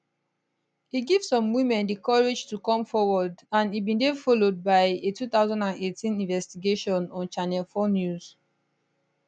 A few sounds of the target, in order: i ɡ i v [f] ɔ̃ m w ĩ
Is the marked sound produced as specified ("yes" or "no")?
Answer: no